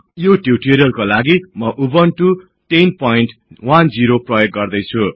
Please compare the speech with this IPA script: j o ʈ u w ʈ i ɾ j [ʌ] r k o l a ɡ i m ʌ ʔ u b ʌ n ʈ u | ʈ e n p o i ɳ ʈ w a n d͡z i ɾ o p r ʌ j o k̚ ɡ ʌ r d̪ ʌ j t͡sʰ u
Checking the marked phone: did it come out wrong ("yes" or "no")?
no